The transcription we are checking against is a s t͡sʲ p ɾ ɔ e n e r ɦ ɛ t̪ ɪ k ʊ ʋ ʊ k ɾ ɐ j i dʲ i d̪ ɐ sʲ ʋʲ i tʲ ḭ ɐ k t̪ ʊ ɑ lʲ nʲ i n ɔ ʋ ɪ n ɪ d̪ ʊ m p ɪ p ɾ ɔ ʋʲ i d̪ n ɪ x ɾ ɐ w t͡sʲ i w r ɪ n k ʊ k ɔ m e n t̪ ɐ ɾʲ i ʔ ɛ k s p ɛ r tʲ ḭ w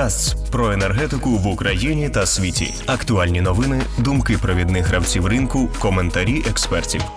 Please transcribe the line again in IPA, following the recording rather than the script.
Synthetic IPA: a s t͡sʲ p ɾ ɔ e n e r ɦ ɛ t̪ ɪ k ʊ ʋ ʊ k ɾ ɐ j i nʲ i t̪ ɐ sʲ ʋʲ i tʲ ḭ ɐ k t̪ ʊ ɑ lʲ nʲ i n ɔ ʋ ɪ n ɪ d̪ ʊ m k ɪ p ɾ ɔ ʋʲ i d̪ n ɪ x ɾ ɐ w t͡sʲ i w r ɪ n k ʊ k ɔ m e n t̪ ɐ ɾʲ i ʔ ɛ k s p ɛ r tʲ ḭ w